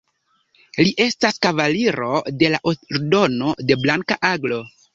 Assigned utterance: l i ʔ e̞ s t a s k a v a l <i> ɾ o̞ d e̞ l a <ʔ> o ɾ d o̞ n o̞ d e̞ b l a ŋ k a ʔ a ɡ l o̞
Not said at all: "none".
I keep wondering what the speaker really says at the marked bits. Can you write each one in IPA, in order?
i, ʔ

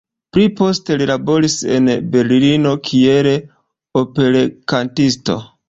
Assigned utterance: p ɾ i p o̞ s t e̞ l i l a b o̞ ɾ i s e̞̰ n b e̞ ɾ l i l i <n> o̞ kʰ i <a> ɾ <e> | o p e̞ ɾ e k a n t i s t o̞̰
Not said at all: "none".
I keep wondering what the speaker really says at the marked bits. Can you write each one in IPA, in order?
n, e, e

